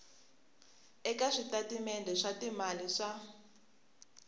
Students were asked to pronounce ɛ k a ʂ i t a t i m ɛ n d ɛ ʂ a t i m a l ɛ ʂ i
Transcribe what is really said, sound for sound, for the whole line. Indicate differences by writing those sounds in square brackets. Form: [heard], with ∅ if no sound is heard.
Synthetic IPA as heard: ɛ k a ʂ i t a t i m ɛ n d ɛ ʂ a t i m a l [i] ʂ [a]